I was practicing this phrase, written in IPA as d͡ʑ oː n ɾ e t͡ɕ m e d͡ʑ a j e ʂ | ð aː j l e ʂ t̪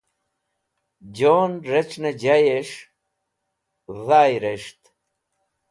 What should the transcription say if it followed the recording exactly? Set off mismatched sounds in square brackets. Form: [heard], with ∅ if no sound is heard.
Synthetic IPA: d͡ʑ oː n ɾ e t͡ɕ [n] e d͡ʑ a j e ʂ | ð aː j [ɾ] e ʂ t̪